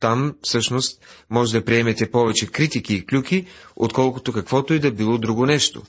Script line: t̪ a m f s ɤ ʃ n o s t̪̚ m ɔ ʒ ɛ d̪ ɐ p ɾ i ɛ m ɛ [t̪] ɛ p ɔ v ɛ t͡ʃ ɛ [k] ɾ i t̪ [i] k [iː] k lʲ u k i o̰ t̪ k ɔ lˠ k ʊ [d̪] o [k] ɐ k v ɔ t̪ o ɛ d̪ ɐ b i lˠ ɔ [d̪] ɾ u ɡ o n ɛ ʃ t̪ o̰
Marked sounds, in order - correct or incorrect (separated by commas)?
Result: correct, correct, correct, correct, incorrect, correct, correct